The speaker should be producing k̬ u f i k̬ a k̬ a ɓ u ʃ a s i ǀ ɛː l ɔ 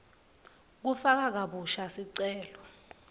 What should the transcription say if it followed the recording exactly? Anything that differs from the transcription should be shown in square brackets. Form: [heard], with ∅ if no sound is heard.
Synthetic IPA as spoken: k̬ u f [a] k̬ a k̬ a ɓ u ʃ a s i ǀ ɛː l ɔ